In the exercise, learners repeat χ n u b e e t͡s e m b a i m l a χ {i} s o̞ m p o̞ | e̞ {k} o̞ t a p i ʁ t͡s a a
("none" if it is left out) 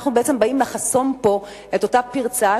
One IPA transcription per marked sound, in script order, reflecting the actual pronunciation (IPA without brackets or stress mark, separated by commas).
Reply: a, t